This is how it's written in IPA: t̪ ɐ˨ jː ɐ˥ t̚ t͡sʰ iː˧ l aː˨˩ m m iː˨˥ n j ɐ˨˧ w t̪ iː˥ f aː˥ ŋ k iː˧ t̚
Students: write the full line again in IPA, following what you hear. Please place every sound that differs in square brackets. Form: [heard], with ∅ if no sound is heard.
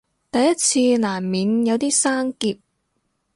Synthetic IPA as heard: t̪ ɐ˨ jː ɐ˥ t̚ t͡sʰ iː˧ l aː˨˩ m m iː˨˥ n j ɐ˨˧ w t̪ iː˥ [s] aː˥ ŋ k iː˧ [p̚]